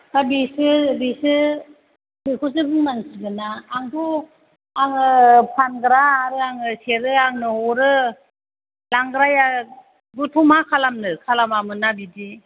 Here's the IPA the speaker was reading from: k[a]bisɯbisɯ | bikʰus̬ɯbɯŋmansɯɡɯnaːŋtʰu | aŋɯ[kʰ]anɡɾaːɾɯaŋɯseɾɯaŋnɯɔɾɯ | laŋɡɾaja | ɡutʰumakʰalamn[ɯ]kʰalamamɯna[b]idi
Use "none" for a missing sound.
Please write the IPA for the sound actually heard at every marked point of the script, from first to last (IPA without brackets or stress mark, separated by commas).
a, pʰ, ɯ, b